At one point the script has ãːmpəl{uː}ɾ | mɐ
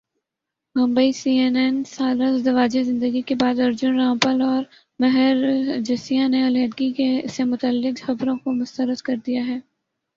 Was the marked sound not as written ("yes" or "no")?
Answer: yes